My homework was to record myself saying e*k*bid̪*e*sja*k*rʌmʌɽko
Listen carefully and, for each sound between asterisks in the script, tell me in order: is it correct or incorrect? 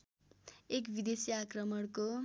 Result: correct, correct, correct

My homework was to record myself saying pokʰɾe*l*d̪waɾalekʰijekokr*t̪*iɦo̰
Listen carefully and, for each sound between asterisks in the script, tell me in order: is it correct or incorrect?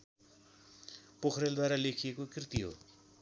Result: correct, correct

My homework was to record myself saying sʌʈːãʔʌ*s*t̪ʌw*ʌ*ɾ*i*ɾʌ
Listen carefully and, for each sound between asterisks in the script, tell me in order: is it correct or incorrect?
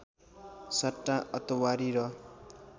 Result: incorrect: none, incorrect: a, correct

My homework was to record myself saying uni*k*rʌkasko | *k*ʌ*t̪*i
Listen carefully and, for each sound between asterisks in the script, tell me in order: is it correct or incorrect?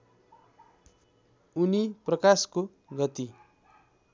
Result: incorrect: p, incorrect: ɡ, correct

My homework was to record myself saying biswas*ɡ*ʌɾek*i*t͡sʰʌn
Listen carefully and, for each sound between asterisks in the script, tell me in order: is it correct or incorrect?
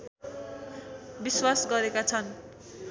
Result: correct, incorrect: a

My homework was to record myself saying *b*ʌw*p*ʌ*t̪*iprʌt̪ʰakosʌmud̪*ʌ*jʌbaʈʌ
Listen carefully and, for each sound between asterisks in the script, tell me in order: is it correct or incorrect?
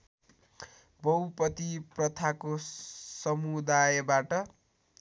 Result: correct, correct, correct, incorrect: a

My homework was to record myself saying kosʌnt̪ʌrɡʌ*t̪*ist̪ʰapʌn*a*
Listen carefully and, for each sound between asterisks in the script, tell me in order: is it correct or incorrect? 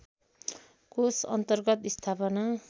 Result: correct, correct

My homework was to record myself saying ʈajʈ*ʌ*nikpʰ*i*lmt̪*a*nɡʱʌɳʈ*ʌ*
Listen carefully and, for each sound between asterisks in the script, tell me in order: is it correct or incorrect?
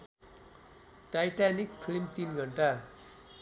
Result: incorrect: a, correct, incorrect: i, incorrect: a

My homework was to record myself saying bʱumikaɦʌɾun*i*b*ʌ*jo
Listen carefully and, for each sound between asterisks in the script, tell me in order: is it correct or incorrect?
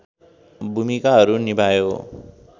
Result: correct, incorrect: a

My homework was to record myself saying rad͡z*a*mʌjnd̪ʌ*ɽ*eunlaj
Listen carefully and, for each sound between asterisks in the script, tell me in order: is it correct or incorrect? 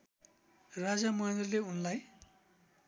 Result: correct, incorrect: l

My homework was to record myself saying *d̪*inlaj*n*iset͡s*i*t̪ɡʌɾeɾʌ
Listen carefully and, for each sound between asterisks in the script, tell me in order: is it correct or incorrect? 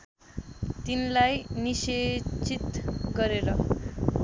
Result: incorrect: t̪, correct, correct

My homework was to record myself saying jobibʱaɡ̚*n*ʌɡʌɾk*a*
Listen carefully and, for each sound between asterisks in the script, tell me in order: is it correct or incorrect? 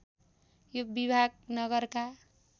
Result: correct, correct

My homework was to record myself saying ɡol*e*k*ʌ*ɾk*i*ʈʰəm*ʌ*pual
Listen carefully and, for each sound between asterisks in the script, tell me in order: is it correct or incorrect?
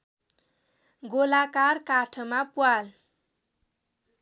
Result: incorrect: a, incorrect: a, incorrect: a, incorrect: a

